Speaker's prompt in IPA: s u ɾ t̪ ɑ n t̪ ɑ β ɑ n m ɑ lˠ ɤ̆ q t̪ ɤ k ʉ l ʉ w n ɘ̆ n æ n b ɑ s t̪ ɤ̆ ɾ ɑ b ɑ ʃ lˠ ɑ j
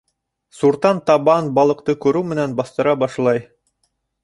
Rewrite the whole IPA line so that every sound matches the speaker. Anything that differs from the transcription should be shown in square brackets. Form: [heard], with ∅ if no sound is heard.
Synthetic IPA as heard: s u ɾ t̪ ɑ n t̪ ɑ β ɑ n [b] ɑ lˠ ɤ̆ q t̪ ɤ k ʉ [ɾ] ʉ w [m] ɘ̆ n æ n b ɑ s t̪ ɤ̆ ɾ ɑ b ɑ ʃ lˠ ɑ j